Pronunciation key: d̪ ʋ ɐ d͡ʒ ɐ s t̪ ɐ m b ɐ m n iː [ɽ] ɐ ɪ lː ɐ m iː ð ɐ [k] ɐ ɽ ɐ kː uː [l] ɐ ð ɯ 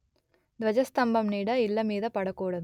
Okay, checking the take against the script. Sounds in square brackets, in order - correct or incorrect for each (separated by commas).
correct, incorrect, incorrect